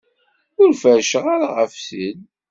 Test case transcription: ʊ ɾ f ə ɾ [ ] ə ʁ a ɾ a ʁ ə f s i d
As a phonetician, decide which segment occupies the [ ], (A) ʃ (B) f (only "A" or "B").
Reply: A